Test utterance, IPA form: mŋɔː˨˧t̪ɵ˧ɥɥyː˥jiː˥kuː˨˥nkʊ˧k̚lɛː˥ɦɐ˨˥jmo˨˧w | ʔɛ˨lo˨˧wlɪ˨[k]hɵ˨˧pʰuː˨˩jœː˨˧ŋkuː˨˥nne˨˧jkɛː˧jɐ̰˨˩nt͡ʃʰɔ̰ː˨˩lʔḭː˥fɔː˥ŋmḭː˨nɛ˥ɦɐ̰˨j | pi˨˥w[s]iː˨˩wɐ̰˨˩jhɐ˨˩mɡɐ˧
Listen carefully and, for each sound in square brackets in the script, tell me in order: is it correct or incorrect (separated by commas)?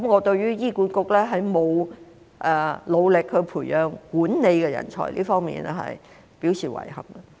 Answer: correct, correct